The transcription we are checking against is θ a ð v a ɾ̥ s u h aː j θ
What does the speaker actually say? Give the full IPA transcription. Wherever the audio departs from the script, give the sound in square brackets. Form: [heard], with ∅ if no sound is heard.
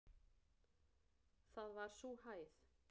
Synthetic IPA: θ a ð v a ɾ̥ s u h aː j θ